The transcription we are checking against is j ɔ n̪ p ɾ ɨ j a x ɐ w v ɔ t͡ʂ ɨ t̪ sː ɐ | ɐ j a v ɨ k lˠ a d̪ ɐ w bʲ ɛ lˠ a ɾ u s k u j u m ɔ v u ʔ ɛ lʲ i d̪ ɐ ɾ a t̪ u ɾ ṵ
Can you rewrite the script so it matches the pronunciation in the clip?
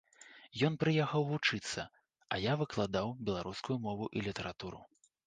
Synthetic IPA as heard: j ɔ n̪ p ɾ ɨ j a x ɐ w v u t͡ʂ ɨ t̪ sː ɐ | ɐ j a v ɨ k lˠ a d̪ a w bʲ ɛ lˠ a ɾ u s k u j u m ɔ v u ʔ i lʲ i t̪ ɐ ɾ a t̪ u ɾ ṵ

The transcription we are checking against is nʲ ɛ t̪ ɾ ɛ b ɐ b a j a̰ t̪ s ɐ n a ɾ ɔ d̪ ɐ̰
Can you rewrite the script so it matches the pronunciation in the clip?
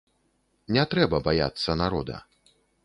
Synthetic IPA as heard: nʲ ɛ t̪ ɾ ɛ b ɐ b a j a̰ t̪ sː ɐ n a ɾ ɔ d̪ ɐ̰

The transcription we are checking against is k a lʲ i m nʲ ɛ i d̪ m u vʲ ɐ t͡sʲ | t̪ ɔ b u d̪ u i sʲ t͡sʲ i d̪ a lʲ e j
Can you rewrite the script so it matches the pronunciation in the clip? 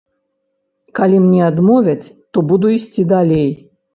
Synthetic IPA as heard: k a lʲ i m nʲ ɛ a d̪ m ɔ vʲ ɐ t͡sʲ | t̪ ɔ b u d̪ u i sʲ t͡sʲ i d̪ a lʲ e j

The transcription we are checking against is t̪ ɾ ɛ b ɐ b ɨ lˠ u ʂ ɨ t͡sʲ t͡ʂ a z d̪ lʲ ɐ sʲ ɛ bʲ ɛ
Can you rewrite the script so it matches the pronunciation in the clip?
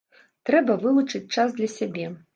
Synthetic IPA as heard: t̪ ɾ ɛ b ɐ v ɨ lˠ u t͡ʂ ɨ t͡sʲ t͡ʂ a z d̪ lʲ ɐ sʲ a bʲ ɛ

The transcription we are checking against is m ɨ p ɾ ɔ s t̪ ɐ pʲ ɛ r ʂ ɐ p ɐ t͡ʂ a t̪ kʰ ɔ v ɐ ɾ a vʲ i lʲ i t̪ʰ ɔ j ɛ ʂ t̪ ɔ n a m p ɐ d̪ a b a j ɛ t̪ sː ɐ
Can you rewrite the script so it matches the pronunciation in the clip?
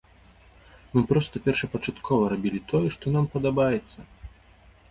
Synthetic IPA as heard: m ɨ p ɾ ɔ s t̪ ɐ pʲ ɛ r ʂ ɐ p ɐ t͡ʂ a t̪ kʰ ɔ v ɐ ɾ a bʲ i lʲ i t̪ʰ ɔ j ɛ ʂ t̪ ɔ n a m p ɐ d̪ a b a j ɛ t̪ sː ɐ

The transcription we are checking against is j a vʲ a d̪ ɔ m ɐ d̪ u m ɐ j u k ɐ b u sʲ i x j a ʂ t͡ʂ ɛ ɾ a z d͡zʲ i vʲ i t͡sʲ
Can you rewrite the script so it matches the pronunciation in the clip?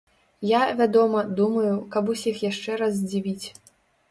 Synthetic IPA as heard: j a vʲ a d̪ ɔ m ɐ d̪ u m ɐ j u k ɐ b u sʲ i x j a ʂ t͡ʂ ɛ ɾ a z d͡zʲ i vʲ i t͡sʲ

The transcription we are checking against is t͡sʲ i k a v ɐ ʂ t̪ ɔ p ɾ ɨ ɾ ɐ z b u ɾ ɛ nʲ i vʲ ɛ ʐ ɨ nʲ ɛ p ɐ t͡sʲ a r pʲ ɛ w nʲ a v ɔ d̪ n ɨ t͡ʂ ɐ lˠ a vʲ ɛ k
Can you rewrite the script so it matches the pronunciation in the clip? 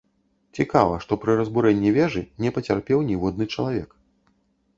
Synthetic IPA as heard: t͡sʲ i k a v ɐ ʂ t̪ ɔ p ɾ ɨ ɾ ɐ z b u ɾ ɛ nʲː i vʲ ɛ ʐ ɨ nʲ ɛ p ɐ t͡sʲ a r pʲ ɛ w nʲ i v ɔ d̪ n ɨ t͡ʂ ɐ lˠ a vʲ ɛ k

